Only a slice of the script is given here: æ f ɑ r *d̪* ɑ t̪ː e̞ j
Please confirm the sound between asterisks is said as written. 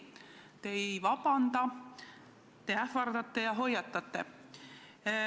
yes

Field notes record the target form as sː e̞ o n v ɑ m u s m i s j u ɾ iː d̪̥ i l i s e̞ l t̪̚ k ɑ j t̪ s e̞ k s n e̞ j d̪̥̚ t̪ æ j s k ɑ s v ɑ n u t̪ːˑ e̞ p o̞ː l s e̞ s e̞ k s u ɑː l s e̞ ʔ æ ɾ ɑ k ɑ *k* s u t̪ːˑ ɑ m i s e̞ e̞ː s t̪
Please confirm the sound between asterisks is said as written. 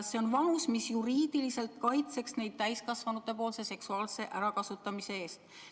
no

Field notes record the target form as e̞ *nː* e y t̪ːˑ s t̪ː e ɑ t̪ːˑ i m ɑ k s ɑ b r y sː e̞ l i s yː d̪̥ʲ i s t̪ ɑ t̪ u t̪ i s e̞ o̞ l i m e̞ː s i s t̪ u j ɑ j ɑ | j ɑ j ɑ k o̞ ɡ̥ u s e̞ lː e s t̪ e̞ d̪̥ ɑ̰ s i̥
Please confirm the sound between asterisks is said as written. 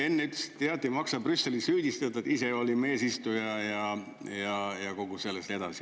yes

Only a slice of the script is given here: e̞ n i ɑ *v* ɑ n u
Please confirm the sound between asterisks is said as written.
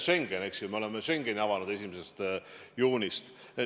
yes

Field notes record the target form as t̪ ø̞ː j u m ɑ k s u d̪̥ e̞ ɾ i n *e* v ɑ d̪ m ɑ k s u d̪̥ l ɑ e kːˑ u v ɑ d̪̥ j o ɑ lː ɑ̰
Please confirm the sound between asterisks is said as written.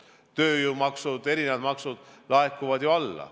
yes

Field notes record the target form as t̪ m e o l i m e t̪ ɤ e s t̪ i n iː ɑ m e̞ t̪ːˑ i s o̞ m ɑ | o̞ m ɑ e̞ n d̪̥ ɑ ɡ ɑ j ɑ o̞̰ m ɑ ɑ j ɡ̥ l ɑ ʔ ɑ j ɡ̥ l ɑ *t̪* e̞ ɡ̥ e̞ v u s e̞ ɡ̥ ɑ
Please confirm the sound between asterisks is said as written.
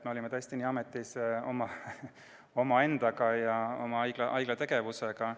yes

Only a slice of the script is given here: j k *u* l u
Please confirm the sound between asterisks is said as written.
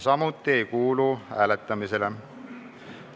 no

